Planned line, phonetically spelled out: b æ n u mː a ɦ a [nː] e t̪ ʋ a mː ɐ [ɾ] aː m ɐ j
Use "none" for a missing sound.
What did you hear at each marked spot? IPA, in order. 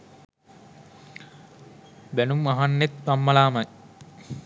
nː, l

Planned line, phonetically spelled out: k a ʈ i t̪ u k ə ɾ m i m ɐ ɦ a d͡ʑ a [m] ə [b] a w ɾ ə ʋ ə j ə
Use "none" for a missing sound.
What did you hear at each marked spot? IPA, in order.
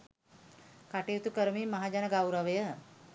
n, ɡ

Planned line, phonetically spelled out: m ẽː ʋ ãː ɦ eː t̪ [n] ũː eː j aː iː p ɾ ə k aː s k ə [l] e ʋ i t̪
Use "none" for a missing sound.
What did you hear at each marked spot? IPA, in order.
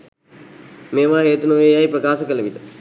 n, l

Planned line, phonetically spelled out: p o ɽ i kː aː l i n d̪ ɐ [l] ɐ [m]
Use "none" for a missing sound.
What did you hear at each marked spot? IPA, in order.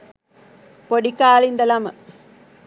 l, m

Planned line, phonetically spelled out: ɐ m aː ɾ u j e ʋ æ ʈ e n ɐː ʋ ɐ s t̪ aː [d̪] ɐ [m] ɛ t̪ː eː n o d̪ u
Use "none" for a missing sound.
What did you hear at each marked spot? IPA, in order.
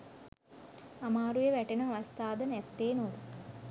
d̪, n

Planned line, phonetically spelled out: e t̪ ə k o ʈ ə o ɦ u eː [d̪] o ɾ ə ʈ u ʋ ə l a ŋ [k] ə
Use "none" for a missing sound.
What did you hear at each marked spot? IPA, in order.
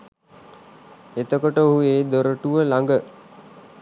d̪, ɡ

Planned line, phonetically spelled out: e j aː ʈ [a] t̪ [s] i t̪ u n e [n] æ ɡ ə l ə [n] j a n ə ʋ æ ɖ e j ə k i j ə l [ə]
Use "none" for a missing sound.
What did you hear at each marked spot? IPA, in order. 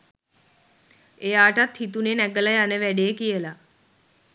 a, h, n, none, a

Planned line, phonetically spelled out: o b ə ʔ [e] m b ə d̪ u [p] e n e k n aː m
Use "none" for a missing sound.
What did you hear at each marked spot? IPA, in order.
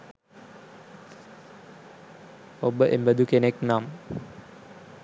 e, k

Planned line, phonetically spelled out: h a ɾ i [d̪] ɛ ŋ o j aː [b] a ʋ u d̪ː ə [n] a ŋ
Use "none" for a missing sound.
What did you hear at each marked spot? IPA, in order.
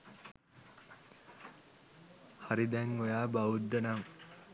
d̪, b, n

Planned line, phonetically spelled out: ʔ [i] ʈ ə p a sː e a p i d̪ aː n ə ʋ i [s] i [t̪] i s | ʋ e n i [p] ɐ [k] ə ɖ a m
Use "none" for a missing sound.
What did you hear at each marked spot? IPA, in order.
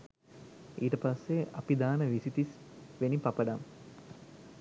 iː, s, t̪, p, p

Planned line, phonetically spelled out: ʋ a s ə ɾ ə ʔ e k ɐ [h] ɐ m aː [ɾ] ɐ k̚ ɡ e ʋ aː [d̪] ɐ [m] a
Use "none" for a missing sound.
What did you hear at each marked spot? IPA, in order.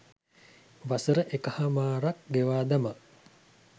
h, ɾ, d̪, m

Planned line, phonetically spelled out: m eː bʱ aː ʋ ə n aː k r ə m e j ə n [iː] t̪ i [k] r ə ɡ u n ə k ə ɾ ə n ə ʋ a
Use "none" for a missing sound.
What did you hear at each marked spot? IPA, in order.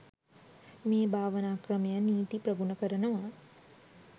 iː, p

